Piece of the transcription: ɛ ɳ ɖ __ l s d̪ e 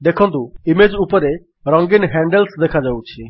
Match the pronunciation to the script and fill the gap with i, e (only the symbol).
e